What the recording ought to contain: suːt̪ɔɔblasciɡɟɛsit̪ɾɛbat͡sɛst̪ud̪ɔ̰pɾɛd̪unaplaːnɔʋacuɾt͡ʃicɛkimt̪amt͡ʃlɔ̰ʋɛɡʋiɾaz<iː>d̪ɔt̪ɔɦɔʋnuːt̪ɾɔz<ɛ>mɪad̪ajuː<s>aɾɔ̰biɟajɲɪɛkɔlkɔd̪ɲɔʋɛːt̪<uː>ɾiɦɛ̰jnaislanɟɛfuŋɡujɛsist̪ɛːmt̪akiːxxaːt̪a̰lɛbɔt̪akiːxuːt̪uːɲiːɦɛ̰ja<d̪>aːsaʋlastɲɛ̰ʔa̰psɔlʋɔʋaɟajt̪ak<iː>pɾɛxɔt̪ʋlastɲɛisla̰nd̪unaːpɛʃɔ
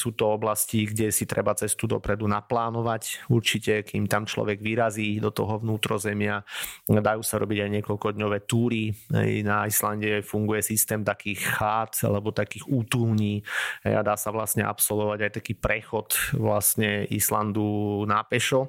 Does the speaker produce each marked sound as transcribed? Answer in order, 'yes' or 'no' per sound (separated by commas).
yes, yes, yes, yes, yes, yes